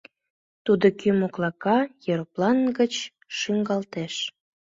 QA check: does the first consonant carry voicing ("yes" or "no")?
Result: no